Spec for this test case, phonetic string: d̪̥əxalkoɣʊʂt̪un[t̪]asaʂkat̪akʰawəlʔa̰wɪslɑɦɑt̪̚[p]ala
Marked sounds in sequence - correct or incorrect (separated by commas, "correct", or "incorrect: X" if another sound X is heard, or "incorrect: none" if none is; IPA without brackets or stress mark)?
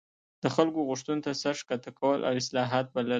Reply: correct, incorrect: b